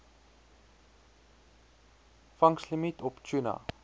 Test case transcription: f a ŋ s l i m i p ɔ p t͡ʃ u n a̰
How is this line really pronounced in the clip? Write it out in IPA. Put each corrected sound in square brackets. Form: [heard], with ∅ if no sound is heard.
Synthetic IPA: f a ŋ s l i m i [t] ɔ p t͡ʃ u n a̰